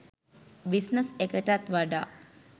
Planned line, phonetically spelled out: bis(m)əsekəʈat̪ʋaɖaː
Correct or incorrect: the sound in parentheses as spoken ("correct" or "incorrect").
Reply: incorrect